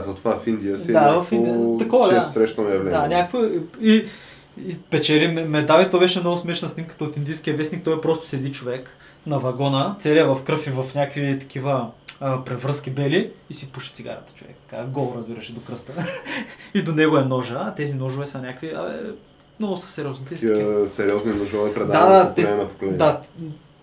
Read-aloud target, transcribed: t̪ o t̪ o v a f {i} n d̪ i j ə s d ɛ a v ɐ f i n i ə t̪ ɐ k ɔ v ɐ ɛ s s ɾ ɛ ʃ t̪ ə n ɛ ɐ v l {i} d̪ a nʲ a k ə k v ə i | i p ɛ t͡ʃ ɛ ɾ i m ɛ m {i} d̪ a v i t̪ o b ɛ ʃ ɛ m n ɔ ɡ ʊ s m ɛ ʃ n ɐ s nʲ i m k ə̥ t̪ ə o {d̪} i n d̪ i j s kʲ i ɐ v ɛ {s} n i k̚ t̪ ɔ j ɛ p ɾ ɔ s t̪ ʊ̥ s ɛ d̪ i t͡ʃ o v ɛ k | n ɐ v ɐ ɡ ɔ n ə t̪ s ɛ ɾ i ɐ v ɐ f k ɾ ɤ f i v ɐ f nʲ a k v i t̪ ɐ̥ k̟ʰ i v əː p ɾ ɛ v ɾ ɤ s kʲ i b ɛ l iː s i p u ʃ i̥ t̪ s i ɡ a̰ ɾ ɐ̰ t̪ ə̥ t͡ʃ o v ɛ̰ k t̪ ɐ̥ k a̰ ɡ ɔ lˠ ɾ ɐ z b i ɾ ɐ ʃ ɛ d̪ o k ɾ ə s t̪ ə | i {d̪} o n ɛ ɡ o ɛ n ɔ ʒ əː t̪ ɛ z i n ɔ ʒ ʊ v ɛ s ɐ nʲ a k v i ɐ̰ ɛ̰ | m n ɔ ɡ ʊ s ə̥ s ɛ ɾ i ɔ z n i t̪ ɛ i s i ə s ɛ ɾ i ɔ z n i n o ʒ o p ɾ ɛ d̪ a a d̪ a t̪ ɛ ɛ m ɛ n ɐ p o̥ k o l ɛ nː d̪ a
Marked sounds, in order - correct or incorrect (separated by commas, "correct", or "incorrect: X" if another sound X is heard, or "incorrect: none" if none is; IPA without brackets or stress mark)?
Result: correct, incorrect: ɛ, incorrect: ɛ, incorrect: t̪, correct, correct